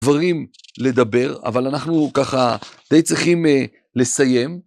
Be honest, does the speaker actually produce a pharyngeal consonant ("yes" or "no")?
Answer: no